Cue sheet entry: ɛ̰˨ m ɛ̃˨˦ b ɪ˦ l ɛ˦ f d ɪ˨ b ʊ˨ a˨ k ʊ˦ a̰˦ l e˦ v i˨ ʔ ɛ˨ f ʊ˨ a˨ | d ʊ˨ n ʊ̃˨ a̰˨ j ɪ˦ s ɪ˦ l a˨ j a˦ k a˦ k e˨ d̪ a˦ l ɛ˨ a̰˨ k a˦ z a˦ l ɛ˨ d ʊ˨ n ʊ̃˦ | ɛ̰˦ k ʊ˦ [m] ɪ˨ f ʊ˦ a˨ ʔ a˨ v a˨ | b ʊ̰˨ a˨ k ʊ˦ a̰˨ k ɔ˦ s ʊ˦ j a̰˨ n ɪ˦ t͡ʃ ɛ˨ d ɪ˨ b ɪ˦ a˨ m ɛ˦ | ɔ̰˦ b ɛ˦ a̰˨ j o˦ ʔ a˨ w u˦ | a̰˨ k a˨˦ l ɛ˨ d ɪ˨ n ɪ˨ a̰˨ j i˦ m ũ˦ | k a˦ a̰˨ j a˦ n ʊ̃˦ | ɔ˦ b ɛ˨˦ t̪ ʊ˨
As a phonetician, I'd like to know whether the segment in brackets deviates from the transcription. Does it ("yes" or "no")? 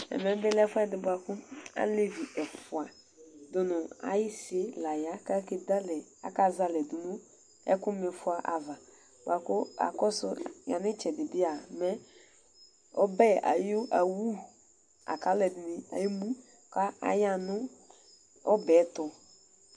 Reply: no